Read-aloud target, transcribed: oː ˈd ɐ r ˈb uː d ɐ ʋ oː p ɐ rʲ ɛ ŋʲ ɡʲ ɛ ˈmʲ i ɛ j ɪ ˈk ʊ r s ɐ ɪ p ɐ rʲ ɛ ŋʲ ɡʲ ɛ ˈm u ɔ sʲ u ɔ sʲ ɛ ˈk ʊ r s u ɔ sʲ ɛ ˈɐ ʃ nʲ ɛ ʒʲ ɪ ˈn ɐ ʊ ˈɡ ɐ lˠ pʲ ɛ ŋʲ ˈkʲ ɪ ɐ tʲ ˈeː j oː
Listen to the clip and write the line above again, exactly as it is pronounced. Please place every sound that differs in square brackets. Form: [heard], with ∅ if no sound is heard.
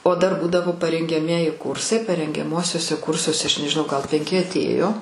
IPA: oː ˈd ɐ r ˈb uː d ɐ ʋ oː p ɐ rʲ ɛ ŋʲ ɡʲ ɛ ˈmʲ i ɛ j ɪ ˈk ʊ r s ɐ ɪ p ɐ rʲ ɛ ŋʲ ɡʲ ɛ ˈm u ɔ sʲ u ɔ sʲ ɛ ˈk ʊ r s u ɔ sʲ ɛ ˈɐ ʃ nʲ ɛ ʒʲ ɪ ˈn ɐ ʊ ˈɡ ɐ lˠ pʲ ɛ ŋʲ ˈkʲ ɪ ɐ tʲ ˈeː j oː